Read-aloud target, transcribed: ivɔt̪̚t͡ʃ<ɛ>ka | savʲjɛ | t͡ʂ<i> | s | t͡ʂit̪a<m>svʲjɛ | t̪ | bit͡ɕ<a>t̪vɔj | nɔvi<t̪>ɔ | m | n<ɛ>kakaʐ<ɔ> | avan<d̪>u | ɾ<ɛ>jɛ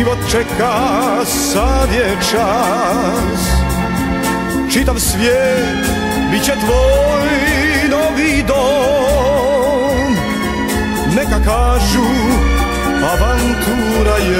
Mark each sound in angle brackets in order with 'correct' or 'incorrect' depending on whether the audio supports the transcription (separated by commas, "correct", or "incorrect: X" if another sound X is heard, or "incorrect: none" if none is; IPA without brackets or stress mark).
correct, incorrect: a, correct, incorrect: ɛ, incorrect: d̪, correct, incorrect: u, incorrect: t̪, incorrect: a